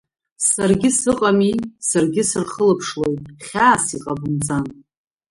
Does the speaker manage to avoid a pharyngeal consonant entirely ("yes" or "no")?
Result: yes